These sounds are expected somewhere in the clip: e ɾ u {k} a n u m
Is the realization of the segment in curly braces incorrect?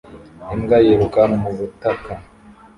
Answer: no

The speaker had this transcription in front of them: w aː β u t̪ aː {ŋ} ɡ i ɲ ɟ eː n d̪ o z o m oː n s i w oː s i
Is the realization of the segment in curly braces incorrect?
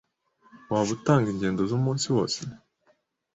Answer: no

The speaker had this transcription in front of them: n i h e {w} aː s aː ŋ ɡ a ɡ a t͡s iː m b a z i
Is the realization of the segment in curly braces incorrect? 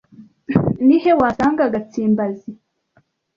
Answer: no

